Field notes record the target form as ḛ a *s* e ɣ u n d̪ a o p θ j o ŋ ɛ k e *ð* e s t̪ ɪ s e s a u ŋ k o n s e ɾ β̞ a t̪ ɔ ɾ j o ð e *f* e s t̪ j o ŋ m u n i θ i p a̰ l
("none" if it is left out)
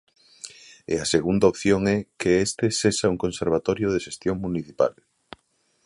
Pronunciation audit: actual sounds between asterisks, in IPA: s, none, ʃ

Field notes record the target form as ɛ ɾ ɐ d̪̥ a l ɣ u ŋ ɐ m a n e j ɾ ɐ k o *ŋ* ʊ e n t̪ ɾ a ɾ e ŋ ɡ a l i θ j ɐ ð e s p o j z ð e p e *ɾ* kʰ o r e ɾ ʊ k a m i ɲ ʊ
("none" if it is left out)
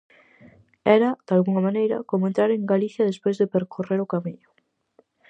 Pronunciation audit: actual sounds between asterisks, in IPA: m, ɾ

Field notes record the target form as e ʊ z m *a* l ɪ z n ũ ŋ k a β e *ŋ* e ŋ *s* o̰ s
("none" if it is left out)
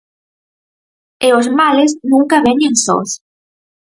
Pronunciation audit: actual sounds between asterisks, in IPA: a, ɲ, s

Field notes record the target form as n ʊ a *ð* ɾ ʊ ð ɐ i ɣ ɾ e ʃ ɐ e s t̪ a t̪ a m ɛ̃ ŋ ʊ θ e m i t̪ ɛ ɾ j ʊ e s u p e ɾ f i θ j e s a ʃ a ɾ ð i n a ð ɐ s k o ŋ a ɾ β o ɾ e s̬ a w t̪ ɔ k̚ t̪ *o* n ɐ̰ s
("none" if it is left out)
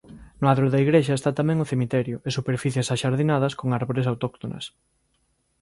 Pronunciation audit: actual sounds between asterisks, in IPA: ð, o

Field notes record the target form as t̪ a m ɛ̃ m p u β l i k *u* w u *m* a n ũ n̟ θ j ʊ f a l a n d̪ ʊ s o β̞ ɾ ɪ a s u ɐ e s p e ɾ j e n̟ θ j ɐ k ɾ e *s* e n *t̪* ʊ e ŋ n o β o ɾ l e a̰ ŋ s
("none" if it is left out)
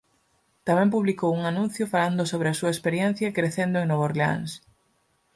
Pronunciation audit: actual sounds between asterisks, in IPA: o, ŋ, θ, d̪

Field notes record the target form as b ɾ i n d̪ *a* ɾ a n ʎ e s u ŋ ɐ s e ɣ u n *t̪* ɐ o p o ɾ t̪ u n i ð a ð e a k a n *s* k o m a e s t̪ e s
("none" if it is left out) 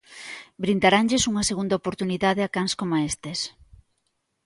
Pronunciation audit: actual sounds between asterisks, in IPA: a, d̪, s

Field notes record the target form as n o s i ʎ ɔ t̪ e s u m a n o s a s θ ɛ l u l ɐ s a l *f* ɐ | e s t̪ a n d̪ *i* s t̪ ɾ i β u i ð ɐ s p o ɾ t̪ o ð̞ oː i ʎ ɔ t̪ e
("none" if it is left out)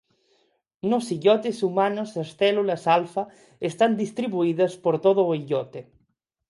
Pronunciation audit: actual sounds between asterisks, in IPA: f, i

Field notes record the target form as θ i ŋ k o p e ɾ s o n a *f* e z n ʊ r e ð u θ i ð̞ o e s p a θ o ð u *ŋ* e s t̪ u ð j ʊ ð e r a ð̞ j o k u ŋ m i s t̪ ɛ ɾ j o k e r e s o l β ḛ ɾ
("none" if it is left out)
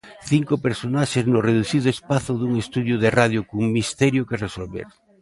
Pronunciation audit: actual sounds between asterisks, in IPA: ʃ, ŋ

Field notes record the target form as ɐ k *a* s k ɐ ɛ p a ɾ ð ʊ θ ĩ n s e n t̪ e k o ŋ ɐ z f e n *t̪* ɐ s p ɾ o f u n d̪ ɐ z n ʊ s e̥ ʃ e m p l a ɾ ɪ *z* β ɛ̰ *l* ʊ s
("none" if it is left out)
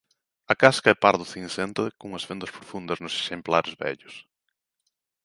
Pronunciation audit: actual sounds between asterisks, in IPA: a, d̪, z, ʎ

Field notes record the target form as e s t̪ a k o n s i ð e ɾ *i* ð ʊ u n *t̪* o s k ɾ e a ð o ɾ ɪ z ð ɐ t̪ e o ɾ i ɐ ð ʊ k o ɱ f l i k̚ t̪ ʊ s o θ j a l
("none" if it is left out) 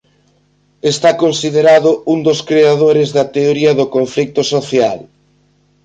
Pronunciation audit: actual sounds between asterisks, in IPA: a, d̪

